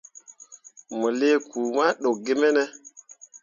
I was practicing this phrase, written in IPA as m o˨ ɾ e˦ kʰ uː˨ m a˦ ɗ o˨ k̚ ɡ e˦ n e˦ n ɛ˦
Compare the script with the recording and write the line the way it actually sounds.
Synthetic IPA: m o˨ l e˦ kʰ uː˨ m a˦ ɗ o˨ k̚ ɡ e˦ m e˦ n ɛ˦